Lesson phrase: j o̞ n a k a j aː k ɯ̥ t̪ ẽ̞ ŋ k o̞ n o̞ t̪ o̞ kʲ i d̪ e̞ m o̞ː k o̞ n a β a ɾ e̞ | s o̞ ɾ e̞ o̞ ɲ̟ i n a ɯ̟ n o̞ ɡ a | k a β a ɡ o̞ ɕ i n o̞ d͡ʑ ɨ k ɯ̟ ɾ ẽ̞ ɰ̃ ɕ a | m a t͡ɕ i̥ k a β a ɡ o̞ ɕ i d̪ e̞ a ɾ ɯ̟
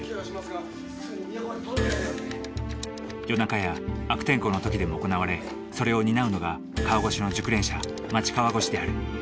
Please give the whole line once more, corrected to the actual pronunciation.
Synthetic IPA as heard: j o̞ n a k a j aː k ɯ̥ t̪ ẽ̞ ŋ k o̞ n o̞ t̪ o̞ kʲ i d̪ e̞ m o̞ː k o̞ n a β a ɾ e̞ | s o̞ ɾ e̞ o̞ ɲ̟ i n a ɯ̟ n o̞ ɡ a | k a β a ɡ o̞ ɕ i n o̞ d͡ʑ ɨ k ɯ̟ ɾ ẽ̞ ɰ̃ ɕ a | m a t͡ɕ i̥ k a β a ɡ o̞ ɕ i d̪ e̞ a ɾ ɯ̟

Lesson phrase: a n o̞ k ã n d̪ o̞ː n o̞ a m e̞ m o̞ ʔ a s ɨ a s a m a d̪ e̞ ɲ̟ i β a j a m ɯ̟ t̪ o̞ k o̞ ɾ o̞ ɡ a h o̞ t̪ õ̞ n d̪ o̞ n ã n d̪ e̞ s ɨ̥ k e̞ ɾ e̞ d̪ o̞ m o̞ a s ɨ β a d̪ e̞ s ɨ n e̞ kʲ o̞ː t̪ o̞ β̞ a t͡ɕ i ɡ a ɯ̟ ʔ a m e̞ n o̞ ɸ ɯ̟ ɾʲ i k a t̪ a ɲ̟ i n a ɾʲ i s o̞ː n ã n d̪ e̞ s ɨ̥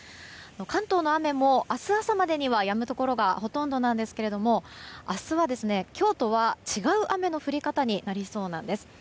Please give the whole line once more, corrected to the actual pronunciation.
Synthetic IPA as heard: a n o̞ k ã n t̪ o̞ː n o̞ a m e̞ m o̞ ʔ a s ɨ a s a m a d̪ e̞ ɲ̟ i β a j a m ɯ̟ t̪ o̞ k o̞ ɾ o̞ ɡ a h o̞ t̪ õ̞ n d̪ o̞ n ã n d̪ e̞ s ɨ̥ k e̞ ɾ e̞ d̪ o̞ m o̞ a s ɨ β a d̪ e̞ s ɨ n e̞ kʲ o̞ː t̪ o̞ β̞ a t͡ɕ i ɡ a ɯ̟ ʔ a m e̞ n o̞ ɸ ɯ̟ ɾʲ i k a t̪ a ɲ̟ i n a ɾʲ i s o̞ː n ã n d̪ e̞ s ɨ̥

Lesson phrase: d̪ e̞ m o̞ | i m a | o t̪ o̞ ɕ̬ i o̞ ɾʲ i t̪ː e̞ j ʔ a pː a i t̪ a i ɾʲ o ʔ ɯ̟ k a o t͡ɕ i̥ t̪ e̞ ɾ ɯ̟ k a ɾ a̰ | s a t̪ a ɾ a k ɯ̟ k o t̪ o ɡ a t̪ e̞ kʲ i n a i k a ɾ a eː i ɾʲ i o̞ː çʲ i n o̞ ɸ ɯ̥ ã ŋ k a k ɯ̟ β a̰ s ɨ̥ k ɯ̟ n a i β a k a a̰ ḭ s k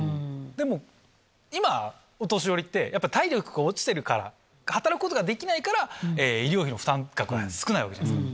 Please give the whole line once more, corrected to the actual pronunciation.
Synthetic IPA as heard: d̪ e̞ m o̞ | i m a | o t̪ o̞ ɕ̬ i o̞ ɾʲ i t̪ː e̞ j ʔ a pː a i t̪ a i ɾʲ o k ɯ̟ ɡ a o t͡ɕ i̥ t̪ e̞ ɾ ɯ̟ k a ɾ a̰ | h a t̪ a ɾ a k ɯ̟ k o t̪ o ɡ a d̪ e̞ kʲ i n a i k a ɾ a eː i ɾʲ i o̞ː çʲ i n o̞ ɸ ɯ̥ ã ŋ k a k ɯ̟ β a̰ s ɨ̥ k ɯ̟ n a i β a k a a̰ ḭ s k

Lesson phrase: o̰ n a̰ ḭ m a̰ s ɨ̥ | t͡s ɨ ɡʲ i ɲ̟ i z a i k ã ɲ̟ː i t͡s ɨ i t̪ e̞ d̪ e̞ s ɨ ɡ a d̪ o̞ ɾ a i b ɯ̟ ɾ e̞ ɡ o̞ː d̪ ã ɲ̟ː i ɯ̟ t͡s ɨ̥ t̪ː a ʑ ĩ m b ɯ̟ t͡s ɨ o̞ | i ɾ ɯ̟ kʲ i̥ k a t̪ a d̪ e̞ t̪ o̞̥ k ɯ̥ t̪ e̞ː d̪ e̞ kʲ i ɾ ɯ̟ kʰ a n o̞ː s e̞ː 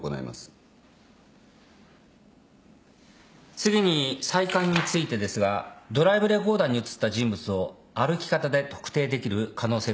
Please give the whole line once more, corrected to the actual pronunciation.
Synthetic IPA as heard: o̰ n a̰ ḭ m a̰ s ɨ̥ | t͡s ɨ ɡʲ i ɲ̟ i s a i k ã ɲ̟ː i t͡s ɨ i t̪ e̞ d̪ e̞ s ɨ ɡ a d̪ o̞ ɾ a i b ɯ̟ ɾ e̞ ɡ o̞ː d̪ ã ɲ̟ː i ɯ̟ t͡s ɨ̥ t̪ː a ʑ ĩ m b ɯ̟ t͡s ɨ o̞ | a ɾ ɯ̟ kʲ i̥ k a t̪ a d̪ e̞ t̪ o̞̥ k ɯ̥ t̪ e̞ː d̪ e̞ kʲ i ɾ ɯ̟ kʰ a n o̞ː s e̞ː

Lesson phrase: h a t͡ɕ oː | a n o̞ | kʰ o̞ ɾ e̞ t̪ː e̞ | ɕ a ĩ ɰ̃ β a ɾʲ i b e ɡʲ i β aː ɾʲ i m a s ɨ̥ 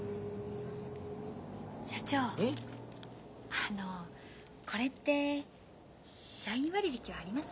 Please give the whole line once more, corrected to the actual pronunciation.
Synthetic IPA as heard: ɕ a t͡ɕ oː | a n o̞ | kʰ o̞ ɾ e̞ t̪ː e̞ | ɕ a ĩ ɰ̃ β a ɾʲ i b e kʲ i β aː ɾʲ i m a s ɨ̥

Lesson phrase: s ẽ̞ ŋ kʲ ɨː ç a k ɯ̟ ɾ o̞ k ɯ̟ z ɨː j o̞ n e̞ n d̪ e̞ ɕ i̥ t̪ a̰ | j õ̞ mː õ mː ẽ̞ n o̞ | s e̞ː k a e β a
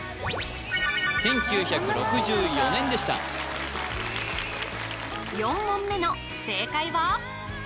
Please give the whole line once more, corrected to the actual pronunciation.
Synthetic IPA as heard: s ẽ̞ ŋ kʲ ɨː ç a k ɯ̟ ɾ o̞ k ɯ̟ ʑ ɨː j o̞ n ẽ̞ n d̪ e̞ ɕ i̥ t̪ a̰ | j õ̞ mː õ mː e̞ n o̞ | s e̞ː k a i β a

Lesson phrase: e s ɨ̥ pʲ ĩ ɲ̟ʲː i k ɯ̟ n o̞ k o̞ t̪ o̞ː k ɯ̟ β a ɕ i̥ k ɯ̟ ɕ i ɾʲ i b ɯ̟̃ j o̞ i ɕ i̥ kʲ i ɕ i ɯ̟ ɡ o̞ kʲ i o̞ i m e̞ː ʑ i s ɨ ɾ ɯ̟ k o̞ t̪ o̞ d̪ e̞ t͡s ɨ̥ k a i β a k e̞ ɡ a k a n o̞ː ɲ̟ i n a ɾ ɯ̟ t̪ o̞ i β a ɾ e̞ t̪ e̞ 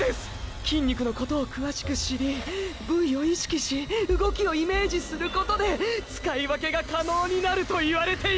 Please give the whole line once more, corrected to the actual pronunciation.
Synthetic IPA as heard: e s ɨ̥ kʲ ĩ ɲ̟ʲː i k ɯ̟ n o̞ k o̞ t̪ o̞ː k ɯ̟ β a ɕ i̥ k ɯ̟ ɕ i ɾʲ i b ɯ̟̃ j o̞ i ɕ i̥ kʲ i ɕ i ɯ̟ ɡ o̞ kʲ i o̞ i m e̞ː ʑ i s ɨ ɾ ɯ̟ k o̞ t̪ o̞ d̪ e̞ t͡s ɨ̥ k a i β a k e̞ ɡ a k a n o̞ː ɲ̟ i n a ɾ ɯ̟ t̪ o̞ i β a ɾ e̞ t̪ e̞

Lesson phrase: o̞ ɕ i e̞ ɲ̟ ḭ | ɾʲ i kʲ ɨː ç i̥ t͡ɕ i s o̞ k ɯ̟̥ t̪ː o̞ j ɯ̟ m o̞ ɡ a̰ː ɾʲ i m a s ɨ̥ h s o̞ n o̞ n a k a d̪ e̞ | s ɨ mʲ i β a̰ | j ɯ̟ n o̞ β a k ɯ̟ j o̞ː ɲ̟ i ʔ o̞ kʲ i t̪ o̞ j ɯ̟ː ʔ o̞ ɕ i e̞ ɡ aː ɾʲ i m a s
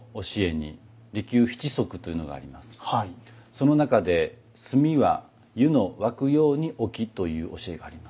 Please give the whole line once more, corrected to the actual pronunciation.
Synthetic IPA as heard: o̞ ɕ i e̞ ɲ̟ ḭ | ɾʲ i kʲ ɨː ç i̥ t͡ɕ i s o̞ k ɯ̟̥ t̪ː o̞ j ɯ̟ n o̞ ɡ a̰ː ɾʲ i m a s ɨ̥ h s o̞ n o̞ n a k a d̪ e̞ | s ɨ mʲ i β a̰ | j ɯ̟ n o̞ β a k ɯ̟ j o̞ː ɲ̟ i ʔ o̞ kʲ i t̪ o̞ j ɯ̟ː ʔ o̞ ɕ i e̞ ɡ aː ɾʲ i m a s

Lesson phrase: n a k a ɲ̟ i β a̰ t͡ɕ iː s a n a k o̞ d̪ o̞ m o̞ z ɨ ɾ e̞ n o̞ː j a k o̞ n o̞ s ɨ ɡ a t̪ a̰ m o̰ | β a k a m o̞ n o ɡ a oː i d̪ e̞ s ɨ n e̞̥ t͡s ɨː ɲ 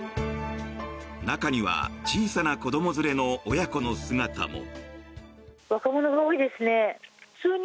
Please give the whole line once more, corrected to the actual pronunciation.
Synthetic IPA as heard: n a k a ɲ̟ i β a̰ t͡ɕ iː s a n a k o̞ d̪ o̞ m o̞ z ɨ ɾ e̞ n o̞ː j a k o̞ n o̞ s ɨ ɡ a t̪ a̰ m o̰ | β a k a m o̞ n o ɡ a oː i d̪ e̞ s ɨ n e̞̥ t͡s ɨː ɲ

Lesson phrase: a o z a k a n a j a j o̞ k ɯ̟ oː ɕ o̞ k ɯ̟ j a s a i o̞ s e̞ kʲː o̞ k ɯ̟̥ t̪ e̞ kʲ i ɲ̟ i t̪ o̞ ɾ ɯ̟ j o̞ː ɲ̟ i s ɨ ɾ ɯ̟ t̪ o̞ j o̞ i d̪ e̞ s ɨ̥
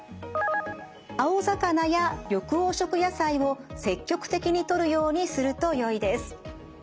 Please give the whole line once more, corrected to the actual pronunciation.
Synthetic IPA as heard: a o z a k a n a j a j o̞ k ɯ̟ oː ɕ o̞ k ɯ̟ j a s a i o̞ s e̞ kʲː o̞ k ɯ̟̥ t̪ e̞ kʲ i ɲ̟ i t̪ o̞ ɾ ɯ̟ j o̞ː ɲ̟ i s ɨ ɾ ɯ̟ t̪ o̞ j o̞ i d̪ e̞ s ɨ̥

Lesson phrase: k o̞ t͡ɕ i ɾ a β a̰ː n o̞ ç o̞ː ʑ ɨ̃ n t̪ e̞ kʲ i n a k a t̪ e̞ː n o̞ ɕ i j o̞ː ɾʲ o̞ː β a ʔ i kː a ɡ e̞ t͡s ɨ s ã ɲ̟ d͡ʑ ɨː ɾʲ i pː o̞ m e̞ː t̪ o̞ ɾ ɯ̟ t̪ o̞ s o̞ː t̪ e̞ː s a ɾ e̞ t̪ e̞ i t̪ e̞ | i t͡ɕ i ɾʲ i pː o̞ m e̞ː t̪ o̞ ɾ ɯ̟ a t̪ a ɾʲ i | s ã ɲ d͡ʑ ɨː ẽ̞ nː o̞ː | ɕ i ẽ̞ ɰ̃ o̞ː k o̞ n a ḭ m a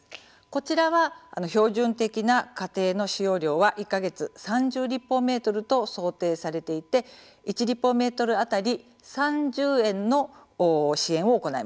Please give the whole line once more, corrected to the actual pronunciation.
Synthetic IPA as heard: k o̞ t͡ɕ i ɾ a β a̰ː n o̞ ç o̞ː ʑ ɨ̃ n t̪ e̞ kʲ i n a k a t̪ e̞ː n o̞ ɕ i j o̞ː ɾʲ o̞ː β a ʔ i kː a ɡ e̞ t͡s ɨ s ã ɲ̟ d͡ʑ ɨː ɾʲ i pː o̞ m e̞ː t̪ o̞ ɾ ɯ̟ t̪ o̞ s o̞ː t̪ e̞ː s a ɾ e̞ t̪ e̞ i t̪ e̞ | i t͡ɕ i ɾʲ i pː o̞ m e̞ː t̪ o̞ ɾ ɯ̟ a t̪ a ɾʲ i | s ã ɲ d͡ʑ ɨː ẽ̞ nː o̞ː | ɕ i ẽ̞ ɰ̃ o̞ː k o̞ n a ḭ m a

